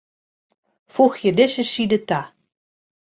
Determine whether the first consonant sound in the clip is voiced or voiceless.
voiceless